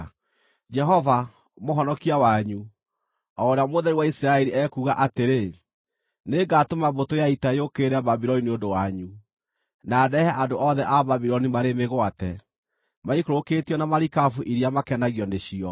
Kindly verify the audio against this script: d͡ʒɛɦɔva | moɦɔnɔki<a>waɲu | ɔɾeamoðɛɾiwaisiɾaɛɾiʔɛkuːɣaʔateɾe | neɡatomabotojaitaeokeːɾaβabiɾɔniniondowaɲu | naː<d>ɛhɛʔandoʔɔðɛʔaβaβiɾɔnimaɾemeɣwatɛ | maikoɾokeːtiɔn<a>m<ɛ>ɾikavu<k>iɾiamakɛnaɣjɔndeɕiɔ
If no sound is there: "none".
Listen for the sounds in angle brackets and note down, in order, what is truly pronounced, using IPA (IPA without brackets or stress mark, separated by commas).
a, d, a, a, ʔ